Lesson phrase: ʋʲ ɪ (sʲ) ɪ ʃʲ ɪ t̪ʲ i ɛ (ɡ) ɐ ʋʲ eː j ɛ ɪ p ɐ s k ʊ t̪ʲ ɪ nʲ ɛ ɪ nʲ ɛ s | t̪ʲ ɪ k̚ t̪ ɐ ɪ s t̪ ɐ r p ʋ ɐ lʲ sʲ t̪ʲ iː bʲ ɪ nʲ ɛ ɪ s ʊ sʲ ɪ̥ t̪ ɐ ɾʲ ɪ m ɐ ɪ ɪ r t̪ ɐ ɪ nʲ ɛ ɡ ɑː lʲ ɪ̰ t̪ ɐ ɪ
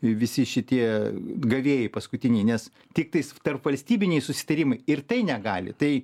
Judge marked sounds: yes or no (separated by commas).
yes, yes